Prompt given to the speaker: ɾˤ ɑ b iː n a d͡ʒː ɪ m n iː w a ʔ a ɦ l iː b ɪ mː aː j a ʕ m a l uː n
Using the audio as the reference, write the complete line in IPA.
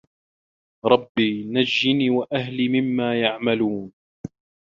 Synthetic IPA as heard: ɾˤ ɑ bː iː n a d͡ʒː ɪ n iː w a ʔ a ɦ l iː m ɪ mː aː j a ʕ m a l uː n